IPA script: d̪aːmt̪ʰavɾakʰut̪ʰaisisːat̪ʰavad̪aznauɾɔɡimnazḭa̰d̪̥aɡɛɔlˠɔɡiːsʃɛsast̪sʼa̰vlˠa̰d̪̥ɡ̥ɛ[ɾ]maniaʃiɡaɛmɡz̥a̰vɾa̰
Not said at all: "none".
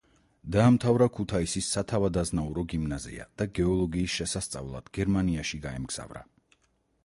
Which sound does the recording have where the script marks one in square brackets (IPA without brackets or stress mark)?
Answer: ɾ